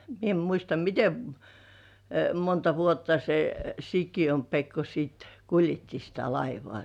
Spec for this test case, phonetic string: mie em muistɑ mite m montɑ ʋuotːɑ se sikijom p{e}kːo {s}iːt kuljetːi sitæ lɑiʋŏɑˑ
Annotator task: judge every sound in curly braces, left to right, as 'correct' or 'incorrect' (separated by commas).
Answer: correct, correct